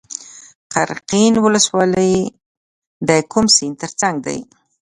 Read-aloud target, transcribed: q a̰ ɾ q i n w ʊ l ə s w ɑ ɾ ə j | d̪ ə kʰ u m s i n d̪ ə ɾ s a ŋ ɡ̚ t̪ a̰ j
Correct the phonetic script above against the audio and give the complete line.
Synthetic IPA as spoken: q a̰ ɾ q i n w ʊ l ə s w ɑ l ə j | d̪ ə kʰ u m s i n t̪ ə ɾ t͡s a ŋ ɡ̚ d̪ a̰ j